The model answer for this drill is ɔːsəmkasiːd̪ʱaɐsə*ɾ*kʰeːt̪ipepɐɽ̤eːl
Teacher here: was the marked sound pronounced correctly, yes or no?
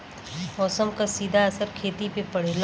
yes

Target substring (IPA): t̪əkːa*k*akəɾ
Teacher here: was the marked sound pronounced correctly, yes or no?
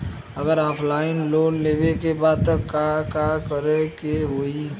yes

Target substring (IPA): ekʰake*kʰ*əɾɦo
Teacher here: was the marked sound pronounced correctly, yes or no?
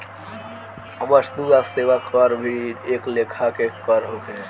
no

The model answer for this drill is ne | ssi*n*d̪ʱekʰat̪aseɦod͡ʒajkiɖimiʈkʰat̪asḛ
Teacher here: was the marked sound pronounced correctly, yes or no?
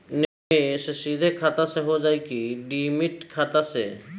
no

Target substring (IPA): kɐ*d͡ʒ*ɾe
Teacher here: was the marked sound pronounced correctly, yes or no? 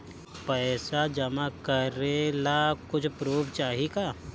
no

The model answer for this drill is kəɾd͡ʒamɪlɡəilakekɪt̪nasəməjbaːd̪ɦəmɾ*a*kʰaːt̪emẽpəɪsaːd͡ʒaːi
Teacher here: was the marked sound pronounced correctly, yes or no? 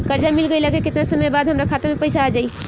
yes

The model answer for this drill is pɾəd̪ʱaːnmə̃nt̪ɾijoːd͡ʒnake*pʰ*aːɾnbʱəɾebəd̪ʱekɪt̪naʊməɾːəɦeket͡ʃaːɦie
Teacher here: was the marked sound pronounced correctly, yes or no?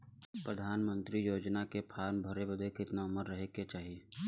yes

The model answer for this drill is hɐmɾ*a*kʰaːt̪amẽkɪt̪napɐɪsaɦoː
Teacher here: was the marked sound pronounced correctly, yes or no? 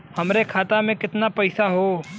no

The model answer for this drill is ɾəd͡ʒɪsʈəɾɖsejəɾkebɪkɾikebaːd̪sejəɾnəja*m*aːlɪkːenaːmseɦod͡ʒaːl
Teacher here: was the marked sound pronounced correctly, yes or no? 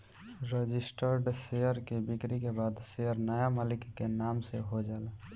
yes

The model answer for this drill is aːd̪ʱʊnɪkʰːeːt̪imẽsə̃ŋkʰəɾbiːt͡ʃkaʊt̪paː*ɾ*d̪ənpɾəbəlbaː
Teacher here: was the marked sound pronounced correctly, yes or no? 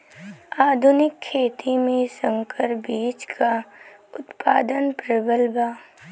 no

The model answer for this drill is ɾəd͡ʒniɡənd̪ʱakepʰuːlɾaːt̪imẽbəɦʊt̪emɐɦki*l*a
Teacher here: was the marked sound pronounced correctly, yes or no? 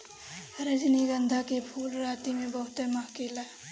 yes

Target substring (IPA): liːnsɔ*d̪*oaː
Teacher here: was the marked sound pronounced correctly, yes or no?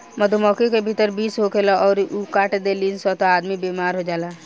no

